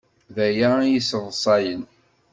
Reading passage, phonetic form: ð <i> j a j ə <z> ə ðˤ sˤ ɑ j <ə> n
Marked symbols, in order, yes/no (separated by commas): no, no, yes